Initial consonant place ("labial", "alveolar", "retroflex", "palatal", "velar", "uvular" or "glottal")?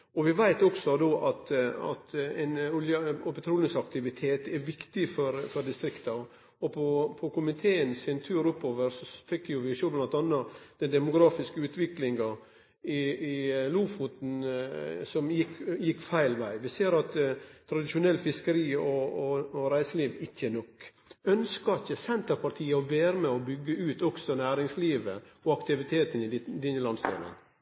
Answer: labial